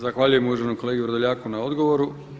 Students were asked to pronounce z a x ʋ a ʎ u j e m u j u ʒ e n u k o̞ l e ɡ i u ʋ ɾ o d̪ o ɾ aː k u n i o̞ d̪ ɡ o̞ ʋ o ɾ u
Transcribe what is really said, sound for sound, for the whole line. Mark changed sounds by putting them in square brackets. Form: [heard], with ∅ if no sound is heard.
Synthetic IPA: z a x ʋ a ʎ u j e m u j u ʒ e n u k o̞ l e ɡ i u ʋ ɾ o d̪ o [ʎ] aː k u n [a] o̞ d̪ ɡ o̞ ʋ o ɾ u